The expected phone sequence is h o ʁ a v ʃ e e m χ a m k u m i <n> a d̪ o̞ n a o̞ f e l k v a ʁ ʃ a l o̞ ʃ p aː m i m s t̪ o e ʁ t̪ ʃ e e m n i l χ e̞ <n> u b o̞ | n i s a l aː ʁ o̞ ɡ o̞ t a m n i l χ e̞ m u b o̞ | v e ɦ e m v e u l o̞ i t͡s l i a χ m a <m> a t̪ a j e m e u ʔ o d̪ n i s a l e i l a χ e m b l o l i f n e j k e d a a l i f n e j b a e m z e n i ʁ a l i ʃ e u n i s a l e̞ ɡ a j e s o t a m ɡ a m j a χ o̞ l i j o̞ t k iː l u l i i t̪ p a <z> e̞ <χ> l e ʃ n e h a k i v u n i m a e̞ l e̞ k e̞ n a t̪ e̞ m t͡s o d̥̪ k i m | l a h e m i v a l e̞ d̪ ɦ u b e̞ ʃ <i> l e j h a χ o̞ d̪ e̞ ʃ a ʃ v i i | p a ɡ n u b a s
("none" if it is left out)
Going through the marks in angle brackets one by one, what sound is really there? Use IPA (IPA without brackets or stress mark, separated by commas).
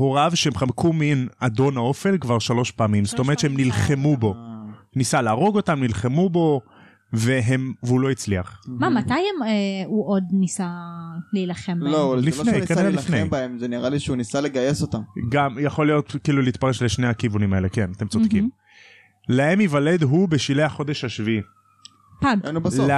n, m, m, ʁ, ʃ, i